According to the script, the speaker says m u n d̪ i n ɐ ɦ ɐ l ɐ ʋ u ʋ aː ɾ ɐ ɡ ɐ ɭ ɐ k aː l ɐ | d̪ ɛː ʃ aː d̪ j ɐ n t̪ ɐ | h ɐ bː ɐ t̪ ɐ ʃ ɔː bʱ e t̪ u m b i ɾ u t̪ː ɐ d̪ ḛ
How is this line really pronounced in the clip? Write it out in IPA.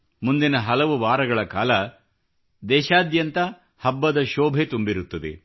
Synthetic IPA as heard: m u n d̪ i n ɐ ɦ ɐ l ɐ ʋ u ʋ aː ɾ ɐ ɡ ɐ ɭ ɐ k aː l ɐ | d̪ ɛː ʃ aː d̪ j ɐ n t̪ ɐ | h ɐ bː ɐ d̪ ɐ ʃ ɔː bʱ e t̪ u m b i ɾ u t̪ː ɐ d̪ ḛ